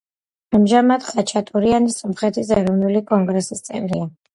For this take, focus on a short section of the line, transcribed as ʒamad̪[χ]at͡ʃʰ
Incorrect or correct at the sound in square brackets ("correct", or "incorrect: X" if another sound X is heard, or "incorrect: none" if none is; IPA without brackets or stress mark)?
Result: correct